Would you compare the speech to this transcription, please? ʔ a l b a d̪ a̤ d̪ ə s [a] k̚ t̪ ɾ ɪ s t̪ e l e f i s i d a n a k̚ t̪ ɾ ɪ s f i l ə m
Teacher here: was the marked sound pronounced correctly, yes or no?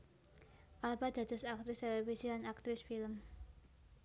yes